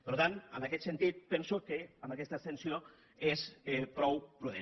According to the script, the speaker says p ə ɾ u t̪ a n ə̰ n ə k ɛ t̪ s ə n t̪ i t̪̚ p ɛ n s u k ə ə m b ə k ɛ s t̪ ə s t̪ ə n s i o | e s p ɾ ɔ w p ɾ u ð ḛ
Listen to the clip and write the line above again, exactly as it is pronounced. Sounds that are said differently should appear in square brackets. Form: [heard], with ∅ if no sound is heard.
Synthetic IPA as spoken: p ə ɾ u t̪ a n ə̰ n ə k ɛ t̪ s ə n t̪ i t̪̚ p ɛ n s u k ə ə m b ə k ɛ s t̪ ə s t̪ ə n s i o | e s p ɾ ɔ w p ɾ u ð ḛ